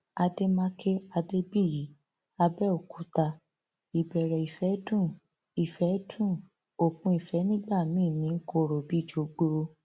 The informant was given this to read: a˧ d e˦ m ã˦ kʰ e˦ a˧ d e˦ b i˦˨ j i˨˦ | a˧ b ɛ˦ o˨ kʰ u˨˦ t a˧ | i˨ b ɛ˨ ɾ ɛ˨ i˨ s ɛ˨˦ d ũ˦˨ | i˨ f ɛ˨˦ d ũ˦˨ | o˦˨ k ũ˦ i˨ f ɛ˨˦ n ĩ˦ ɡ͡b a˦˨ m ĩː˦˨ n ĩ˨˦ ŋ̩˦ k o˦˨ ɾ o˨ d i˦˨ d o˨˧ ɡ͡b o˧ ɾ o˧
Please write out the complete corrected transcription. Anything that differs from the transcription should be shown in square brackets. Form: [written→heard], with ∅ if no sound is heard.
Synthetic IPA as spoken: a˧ d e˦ m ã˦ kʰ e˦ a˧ d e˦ b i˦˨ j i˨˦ | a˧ b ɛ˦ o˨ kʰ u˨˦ t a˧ | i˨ b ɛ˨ ɾ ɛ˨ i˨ [s→f] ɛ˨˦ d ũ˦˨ | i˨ f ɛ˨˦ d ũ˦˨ | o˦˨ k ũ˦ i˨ f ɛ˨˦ n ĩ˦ ɡ͡b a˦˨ m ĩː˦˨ n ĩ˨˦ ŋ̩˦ k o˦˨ ɾ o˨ [d→b] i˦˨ [d→d͡ʒ] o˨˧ ɡ͡b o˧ ɾ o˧